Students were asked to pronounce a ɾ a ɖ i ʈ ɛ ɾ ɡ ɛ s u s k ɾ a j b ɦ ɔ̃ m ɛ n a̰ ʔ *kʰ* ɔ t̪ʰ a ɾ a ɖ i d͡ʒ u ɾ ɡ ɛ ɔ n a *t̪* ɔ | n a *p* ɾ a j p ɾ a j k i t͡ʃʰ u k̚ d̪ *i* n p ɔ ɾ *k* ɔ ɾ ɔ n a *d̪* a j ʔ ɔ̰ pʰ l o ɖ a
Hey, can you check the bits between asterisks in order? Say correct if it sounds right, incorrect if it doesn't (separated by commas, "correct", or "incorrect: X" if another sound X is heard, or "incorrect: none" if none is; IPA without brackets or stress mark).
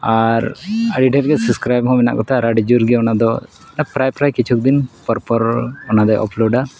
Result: incorrect: k, incorrect: d̪, correct, correct, incorrect: p, correct